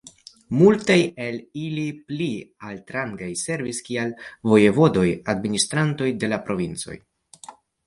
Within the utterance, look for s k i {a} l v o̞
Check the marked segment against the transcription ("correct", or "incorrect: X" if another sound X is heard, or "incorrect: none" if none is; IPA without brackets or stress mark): correct